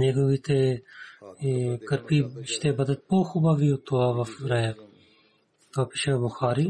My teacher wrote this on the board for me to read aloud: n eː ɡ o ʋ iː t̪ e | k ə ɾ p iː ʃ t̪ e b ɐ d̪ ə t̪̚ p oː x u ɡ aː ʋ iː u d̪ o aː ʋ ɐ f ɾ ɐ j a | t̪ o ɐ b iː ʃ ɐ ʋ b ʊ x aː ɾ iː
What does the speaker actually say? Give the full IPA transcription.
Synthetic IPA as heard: n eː ɡ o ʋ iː t̪ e | k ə ɾ p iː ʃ t̪ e b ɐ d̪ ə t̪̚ p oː x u b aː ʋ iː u t̪ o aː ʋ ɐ f ɾ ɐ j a | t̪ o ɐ p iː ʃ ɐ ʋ b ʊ x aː ɾ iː